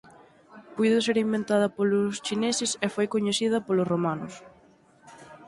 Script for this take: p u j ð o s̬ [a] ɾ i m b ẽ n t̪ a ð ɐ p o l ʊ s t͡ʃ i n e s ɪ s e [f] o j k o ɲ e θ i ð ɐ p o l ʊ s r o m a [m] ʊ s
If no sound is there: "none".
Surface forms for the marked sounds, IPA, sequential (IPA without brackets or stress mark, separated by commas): e, f, n